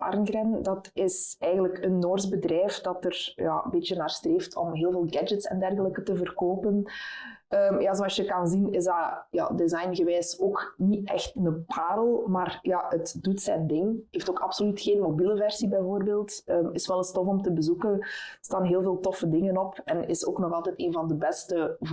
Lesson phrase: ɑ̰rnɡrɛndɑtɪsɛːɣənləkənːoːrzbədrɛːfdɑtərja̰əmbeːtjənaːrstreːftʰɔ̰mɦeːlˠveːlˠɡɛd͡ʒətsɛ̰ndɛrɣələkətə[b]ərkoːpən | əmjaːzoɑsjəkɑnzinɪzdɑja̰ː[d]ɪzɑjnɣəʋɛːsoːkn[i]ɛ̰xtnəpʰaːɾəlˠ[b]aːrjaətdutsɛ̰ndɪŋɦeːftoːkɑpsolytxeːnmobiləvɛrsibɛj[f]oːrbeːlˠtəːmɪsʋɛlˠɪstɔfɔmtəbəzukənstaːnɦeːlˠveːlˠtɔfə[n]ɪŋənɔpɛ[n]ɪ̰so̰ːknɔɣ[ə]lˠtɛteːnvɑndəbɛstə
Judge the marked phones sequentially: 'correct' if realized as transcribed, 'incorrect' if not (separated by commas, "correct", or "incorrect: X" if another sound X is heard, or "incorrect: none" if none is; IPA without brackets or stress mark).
incorrect: v, correct, correct, incorrect: m, incorrect: v, incorrect: d, correct, incorrect: ɑ